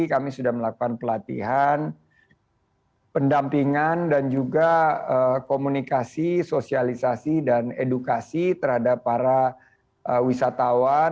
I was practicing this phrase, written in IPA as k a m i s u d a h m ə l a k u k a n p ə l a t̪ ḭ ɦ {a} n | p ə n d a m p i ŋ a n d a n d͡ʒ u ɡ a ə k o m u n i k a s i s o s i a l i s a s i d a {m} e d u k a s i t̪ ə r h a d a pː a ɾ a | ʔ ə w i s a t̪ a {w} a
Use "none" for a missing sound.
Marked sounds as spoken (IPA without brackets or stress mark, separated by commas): a, n, w